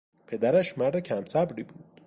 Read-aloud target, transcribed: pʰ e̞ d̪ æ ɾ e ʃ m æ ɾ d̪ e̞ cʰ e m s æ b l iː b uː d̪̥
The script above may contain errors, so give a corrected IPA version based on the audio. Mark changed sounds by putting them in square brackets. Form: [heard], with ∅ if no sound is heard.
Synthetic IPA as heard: pʰ e̞ d̪ æ ɾ [æ] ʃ m æ ɾ d̪ e̞ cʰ [æ] m s æ b [ɾ] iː b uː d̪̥